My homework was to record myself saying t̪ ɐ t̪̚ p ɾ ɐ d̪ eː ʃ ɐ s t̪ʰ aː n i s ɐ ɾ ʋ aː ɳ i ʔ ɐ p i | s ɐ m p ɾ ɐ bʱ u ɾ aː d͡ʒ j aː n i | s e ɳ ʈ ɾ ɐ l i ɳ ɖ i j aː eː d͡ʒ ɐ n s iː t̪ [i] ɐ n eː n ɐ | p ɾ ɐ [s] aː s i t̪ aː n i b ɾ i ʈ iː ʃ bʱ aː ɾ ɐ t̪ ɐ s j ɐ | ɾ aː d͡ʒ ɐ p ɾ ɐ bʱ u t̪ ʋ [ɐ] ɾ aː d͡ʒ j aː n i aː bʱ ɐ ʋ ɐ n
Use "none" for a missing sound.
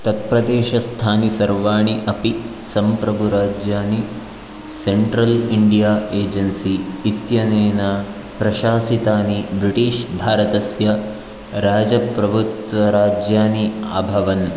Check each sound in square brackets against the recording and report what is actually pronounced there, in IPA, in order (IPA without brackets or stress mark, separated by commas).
j, ʃ, ɐ